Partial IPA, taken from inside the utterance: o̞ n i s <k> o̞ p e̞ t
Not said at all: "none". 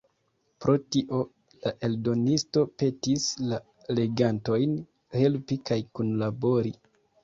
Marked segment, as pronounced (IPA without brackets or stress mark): t